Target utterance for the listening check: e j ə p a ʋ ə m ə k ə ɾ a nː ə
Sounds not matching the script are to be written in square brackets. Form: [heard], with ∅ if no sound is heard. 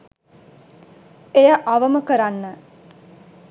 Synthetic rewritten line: e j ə [ʔ] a ʋ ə m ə k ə ɾ a nː ə

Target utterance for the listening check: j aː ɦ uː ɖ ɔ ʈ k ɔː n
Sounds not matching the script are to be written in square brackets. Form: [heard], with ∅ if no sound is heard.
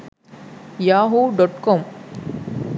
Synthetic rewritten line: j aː ɦ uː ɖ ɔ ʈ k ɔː [m]

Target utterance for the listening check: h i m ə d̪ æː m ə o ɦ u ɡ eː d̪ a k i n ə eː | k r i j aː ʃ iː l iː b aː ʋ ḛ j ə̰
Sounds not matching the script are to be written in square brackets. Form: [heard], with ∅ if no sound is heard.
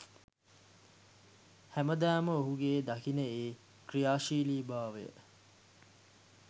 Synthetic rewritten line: h [æ] m ə d̪ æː m ə o ɦ u ɡ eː d̪ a k i n ə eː | k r i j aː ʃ iː l iː b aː ʋ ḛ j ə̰

